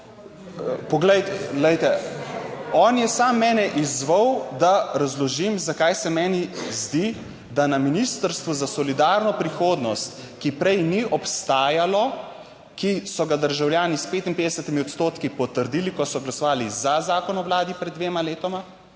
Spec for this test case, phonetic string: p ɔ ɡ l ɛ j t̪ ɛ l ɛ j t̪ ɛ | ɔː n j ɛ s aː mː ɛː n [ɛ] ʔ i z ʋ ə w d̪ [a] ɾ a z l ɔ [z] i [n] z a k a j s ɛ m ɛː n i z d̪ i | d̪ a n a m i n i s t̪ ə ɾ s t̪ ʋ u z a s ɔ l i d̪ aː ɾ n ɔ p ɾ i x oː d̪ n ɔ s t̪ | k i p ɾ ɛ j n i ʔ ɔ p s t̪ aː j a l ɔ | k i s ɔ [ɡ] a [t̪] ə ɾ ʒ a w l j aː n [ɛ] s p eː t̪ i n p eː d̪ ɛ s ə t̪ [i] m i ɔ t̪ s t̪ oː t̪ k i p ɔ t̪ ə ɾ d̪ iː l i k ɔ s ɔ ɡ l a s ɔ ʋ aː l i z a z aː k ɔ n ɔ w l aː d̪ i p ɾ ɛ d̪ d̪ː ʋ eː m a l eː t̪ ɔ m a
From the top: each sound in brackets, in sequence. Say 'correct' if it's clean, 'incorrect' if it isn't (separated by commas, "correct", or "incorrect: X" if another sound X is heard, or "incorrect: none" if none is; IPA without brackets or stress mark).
correct, correct, incorrect: ʒ, incorrect: m, correct, incorrect: d̪, incorrect: i, correct